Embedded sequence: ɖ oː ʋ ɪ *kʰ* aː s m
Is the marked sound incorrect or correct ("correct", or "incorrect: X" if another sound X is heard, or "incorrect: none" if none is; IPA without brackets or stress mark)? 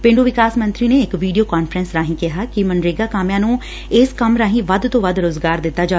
incorrect: k